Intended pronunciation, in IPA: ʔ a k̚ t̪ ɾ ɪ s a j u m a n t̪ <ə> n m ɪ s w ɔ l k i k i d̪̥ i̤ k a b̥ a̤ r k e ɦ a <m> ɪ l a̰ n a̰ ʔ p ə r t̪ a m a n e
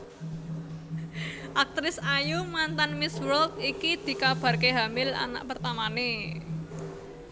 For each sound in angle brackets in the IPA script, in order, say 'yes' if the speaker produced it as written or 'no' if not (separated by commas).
no, yes